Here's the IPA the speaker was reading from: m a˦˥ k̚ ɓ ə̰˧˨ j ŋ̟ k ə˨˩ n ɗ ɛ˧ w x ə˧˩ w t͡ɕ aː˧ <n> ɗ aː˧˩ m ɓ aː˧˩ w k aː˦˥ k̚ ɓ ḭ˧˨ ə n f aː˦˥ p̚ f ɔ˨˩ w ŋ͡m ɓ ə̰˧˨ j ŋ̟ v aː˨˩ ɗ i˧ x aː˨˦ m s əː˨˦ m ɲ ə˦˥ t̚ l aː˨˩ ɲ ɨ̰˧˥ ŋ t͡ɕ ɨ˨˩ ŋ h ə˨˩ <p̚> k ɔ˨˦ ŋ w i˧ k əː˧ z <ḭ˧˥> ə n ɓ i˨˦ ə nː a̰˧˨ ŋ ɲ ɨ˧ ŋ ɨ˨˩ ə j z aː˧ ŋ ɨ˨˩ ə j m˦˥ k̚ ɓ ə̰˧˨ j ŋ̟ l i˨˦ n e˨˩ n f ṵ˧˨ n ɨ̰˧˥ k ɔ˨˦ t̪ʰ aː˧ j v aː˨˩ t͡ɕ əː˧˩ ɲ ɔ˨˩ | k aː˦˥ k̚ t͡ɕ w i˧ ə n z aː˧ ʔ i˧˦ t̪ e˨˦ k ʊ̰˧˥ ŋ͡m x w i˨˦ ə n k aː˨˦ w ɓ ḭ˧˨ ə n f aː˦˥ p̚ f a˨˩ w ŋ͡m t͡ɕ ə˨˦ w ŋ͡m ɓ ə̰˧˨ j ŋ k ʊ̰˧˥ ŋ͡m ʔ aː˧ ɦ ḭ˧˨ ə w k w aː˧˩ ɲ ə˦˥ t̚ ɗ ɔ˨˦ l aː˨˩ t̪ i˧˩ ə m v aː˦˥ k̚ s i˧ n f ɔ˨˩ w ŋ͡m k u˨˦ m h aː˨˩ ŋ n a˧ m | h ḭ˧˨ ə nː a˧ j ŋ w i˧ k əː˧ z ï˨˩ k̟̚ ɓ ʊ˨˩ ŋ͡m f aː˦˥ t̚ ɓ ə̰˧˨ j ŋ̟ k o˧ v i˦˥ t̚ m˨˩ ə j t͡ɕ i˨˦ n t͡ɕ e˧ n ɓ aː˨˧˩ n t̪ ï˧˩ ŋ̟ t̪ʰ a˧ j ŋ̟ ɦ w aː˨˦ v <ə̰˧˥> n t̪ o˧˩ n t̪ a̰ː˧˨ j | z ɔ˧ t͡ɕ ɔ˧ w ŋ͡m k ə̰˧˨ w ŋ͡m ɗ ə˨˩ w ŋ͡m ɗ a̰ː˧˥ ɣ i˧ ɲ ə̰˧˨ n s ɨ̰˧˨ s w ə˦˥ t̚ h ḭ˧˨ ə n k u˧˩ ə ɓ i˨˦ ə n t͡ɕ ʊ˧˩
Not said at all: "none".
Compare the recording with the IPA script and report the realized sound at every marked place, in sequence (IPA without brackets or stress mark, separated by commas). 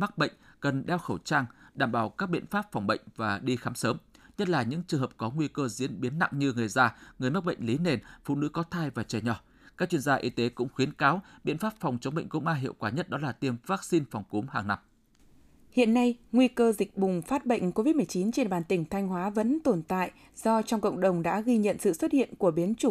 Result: ŋ, p̚, ḭ˧˥, ə̰˧˥